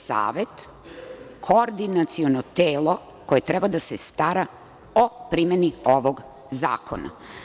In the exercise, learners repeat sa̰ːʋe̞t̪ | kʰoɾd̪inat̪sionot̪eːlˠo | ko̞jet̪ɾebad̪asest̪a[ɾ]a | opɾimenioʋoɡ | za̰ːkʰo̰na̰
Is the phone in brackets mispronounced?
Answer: no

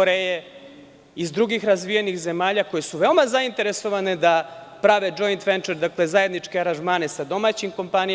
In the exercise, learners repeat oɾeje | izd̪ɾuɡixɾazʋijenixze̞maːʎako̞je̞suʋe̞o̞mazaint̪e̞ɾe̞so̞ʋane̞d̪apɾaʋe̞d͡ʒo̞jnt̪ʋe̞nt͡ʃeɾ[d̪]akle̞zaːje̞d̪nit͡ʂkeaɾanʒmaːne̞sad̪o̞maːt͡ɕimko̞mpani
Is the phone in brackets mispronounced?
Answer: no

